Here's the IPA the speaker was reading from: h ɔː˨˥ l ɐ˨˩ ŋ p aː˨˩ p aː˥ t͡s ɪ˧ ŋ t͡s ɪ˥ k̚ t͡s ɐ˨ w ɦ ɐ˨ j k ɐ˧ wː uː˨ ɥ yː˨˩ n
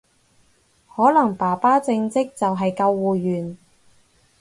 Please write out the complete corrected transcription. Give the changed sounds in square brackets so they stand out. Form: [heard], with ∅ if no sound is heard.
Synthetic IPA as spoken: h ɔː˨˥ l ɐ˨˩ ŋ p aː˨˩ p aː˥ t͡s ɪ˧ ŋ t͡s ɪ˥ k̚ t͡s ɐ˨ w ɦ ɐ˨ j k ɐ˧ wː uː˨ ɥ yː˨˩ n

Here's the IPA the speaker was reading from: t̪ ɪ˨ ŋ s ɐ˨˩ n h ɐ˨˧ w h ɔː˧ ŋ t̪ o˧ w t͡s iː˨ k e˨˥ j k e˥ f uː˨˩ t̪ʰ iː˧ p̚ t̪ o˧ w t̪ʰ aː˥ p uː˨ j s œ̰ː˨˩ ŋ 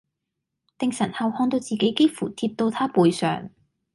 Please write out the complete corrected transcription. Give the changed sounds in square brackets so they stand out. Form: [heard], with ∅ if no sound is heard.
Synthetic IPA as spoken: t̪ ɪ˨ ŋ s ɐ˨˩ n h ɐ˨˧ w h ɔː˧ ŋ t̪ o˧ w t͡s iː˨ k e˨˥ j k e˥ f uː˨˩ t̪ʰ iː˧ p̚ t̪ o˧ w t̪ʰ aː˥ p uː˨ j s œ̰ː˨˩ ŋ

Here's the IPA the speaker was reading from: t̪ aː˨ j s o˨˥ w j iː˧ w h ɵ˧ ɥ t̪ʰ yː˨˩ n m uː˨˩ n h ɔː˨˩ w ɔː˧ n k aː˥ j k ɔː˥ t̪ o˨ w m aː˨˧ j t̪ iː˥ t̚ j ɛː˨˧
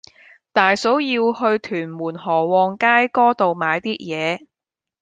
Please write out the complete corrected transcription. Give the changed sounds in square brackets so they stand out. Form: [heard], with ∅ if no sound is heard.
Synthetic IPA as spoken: t̪ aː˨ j s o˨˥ w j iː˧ w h ɵ˧ ɥ t̪ʰ yː˨˩ n m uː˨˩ n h ɔː˨˩ w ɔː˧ [ŋ] k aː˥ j k ɔː˥ t̪ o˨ w m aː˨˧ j t̪ iː˥ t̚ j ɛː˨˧

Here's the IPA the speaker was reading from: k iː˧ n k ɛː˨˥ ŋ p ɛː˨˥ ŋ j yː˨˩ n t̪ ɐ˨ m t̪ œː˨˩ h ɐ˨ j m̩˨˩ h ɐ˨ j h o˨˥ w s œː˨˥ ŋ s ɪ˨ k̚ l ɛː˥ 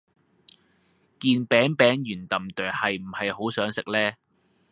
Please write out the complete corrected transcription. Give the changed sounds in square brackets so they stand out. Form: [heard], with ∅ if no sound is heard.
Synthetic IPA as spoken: k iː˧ n [p] ɛː˨˥ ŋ p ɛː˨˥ ŋ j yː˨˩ n t̪ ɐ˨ m t̪ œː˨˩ h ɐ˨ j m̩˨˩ h ɐ˨ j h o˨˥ w s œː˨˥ ŋ s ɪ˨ k̚ l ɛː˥

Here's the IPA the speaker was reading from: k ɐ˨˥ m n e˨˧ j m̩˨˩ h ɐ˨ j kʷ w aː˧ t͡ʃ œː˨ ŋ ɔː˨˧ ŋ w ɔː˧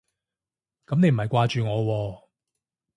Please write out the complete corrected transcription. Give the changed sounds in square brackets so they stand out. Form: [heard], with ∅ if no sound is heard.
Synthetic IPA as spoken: k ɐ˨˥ m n e˨˧ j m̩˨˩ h ɐ˨ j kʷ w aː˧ t͡ʃ [yː˨] ŋ ɔː˨˧ [∅] w ɔː˧

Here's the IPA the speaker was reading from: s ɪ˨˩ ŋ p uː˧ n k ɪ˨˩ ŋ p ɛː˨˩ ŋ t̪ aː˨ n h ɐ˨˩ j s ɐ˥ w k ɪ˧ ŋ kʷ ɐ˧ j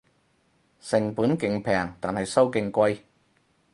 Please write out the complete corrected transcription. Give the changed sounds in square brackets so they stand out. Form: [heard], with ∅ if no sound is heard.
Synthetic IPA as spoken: s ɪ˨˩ ŋ p [uː˨˥] n k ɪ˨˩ ŋ [pʰ] ɛː˨˩ ŋ t̪ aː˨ n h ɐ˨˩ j s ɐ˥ w k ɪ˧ ŋ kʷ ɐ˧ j

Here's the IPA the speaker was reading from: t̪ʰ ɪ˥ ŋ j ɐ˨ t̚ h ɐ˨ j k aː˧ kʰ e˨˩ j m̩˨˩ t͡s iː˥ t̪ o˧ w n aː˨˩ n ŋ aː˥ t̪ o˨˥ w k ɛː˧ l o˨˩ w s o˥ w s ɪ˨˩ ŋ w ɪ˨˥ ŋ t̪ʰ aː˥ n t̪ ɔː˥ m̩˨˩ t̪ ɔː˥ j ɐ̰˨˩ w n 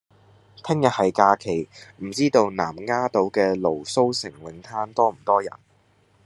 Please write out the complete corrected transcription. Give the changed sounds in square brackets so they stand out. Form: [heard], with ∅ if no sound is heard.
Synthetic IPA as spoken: t̪ʰ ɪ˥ ŋ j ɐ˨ t̚ h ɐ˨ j k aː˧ kʰ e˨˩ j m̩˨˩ t͡s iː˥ t̪ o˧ w n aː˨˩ [m] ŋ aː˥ t̪ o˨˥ w k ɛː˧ l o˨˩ w s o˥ w s ɪ˨˩ ŋ w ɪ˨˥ ŋ t̪ʰ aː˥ n t̪ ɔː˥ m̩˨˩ t̪ ɔː˥ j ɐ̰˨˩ [∅] n

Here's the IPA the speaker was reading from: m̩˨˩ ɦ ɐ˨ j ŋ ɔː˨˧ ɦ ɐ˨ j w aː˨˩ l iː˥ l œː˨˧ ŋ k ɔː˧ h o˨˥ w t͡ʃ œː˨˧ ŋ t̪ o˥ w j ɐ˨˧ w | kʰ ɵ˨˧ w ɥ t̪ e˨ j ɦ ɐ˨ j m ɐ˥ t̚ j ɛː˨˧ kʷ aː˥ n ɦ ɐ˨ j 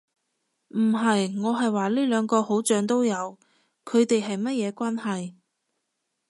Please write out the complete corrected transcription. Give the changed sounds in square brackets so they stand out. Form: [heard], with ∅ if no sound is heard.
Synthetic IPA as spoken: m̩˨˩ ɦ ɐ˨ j ŋ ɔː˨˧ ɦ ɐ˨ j w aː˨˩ l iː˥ l œː˨˧ ŋ k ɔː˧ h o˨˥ w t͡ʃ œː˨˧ ŋ t̪ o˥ w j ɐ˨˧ w | kʰ ɵ˨˧ [∅] ɥ t̪ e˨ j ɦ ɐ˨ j m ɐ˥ t̚ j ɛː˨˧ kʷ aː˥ n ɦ ɐ˨ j

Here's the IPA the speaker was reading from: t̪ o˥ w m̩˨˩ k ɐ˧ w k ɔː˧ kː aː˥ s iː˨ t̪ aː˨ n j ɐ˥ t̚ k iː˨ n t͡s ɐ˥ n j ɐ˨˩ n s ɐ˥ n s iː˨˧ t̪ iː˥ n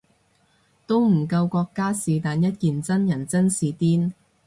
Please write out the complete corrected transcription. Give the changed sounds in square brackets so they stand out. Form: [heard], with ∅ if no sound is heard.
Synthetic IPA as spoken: t̪ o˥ w m̩˨˩ k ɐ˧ w k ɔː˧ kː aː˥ s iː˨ t̪ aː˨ n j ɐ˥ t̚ k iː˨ n t͡s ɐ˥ n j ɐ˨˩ n [t͡s] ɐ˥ n s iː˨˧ t̪ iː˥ n

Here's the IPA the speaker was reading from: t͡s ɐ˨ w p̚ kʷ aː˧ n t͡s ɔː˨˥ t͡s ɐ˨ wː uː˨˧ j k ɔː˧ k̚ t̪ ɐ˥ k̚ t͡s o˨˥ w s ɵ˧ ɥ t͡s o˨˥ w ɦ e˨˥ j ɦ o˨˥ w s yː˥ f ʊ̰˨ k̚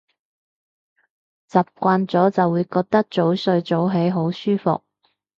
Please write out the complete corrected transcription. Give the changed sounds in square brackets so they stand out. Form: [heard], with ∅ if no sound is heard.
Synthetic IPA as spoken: t͡s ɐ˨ [∅] p̚ kʷ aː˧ n t͡s ɔː˨˥ t͡s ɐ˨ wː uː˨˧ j k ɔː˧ k̚ t̪ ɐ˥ k̚ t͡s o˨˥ w s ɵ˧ ɥ t͡s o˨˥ w ɦ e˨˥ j ɦ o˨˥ w s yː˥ f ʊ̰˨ k̚

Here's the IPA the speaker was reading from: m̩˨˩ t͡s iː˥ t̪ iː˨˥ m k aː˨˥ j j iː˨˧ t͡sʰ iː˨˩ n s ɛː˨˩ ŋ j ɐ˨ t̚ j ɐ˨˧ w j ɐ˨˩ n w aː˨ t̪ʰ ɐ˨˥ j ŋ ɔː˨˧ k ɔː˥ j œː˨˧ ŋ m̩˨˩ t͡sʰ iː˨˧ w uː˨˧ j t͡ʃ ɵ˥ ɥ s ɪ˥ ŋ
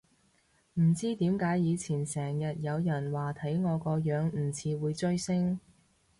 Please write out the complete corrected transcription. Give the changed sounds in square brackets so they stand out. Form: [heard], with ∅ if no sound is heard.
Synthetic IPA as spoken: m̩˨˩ t͡s iː˥ t̪ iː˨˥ m k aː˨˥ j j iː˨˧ t͡sʰ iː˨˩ n s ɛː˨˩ ŋ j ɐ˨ t̚ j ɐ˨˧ w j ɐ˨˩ n w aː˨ t̪ʰ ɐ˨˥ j ŋ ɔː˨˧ k [ɔː˧] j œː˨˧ ŋ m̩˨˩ t͡sʰ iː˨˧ w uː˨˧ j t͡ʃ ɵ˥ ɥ s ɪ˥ ŋ

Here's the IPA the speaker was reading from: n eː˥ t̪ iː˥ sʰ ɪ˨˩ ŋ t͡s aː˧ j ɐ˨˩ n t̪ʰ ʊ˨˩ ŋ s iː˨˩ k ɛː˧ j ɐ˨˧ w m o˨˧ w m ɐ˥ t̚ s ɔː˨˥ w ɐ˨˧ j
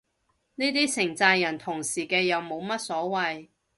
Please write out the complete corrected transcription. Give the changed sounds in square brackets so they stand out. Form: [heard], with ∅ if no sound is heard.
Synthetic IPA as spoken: n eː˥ t̪ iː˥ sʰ ɪ˨˩ ŋ t͡s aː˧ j ɐ˨˩ n t̪ʰ ʊ˨˩ ŋ s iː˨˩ k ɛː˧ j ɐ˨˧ w m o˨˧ w m ɐ˥ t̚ s ɔː˨˥ w ɐ˨˧ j

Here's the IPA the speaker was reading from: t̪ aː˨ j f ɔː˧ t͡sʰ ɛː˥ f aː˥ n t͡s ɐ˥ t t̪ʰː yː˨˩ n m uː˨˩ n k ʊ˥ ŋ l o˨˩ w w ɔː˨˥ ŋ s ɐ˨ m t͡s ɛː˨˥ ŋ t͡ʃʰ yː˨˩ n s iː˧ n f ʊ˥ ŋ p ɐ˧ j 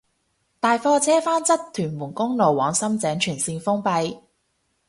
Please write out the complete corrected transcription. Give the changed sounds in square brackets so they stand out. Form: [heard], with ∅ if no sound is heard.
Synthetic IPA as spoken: t̪ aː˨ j f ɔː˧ t͡sʰ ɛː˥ f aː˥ n t͡s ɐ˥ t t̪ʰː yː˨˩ n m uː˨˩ n k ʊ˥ ŋ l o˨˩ w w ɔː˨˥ ŋ s [ɐ˥] m t͡s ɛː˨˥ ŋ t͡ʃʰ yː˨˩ n s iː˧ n f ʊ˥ ŋ p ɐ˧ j

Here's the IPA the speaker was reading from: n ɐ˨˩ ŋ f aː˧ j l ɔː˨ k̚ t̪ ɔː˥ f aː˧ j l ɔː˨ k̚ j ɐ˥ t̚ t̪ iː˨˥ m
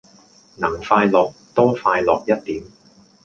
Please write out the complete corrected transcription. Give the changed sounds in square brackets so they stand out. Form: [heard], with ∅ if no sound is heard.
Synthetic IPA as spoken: n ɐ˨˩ ŋ f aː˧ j l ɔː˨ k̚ t̪ ɔː˥ f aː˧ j l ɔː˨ k̚ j ɐ˥ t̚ t̪ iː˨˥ m

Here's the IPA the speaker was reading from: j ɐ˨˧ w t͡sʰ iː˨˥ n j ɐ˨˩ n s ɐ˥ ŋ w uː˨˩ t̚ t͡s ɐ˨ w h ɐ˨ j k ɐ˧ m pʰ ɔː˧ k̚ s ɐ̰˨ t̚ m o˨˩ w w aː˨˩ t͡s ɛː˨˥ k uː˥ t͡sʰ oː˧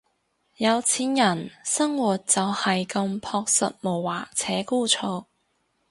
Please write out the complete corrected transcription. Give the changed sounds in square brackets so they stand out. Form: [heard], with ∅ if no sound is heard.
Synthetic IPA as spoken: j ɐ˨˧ w t͡sʰ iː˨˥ n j ɐ˨˩ n s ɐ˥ ŋ w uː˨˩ t̚ t͡s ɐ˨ w h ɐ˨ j k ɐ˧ m pʰ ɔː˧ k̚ s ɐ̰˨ t̚ m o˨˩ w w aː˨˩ [t͡sʰ] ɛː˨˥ k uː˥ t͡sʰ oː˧

